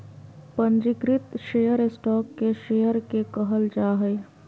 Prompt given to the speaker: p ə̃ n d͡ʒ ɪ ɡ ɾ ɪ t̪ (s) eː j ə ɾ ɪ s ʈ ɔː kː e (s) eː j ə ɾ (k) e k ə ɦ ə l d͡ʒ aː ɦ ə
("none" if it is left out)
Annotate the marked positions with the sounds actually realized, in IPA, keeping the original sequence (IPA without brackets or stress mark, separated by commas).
ʃ, ʃ, k